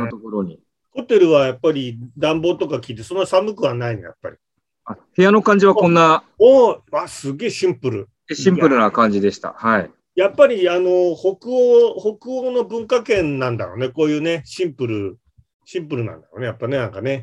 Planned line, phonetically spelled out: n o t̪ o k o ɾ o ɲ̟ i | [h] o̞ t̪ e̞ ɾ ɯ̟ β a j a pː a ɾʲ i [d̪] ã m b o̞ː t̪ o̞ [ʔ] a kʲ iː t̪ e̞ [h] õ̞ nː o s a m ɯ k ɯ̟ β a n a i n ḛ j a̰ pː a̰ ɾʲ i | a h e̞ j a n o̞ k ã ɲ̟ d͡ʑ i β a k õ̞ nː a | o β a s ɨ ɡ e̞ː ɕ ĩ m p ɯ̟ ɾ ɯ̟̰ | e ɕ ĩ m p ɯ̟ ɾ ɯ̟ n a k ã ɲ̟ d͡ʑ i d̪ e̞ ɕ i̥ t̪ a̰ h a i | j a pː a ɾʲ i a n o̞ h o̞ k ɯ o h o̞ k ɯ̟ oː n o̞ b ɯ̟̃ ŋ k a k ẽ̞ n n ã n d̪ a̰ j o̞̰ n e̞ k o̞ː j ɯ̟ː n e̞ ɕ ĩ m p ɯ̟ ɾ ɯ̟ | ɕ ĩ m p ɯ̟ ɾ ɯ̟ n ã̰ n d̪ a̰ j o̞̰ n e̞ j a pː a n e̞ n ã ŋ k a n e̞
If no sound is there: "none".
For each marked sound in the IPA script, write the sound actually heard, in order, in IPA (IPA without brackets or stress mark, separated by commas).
h, d̪, k, s